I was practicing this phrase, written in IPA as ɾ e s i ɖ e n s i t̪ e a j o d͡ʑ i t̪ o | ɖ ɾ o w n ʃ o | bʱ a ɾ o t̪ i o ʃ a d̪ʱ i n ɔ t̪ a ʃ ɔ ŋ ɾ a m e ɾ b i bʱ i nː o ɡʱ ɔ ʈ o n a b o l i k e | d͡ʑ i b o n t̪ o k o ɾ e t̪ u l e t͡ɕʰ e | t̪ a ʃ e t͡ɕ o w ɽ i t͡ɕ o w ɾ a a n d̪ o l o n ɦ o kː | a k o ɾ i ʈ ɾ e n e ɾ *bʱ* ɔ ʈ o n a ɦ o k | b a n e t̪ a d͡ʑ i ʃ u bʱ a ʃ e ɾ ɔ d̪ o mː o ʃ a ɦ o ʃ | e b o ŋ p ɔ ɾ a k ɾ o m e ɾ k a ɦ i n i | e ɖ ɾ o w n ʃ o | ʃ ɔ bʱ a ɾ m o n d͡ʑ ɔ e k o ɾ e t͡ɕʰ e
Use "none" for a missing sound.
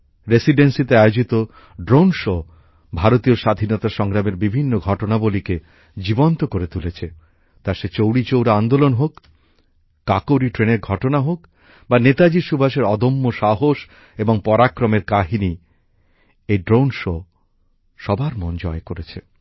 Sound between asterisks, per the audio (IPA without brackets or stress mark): ɡʱ